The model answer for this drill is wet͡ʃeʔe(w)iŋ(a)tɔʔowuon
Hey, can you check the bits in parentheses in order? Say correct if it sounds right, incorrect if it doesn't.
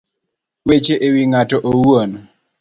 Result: correct, correct

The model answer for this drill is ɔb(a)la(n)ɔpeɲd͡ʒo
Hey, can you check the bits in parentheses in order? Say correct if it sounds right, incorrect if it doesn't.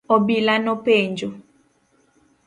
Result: incorrect, correct

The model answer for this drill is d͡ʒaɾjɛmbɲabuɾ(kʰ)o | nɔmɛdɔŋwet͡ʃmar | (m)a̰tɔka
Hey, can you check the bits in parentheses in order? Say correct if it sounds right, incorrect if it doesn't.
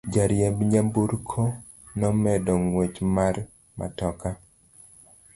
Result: correct, correct

